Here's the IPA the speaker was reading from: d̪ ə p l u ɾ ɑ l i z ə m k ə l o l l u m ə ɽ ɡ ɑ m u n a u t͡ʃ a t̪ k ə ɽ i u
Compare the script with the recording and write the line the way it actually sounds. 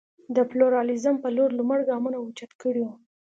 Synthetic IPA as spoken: d̪ ə p l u ɾ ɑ l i z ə m p ə l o ɾ l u m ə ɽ ɡ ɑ m u n a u t͡ʃ a t̪ k ə ɽ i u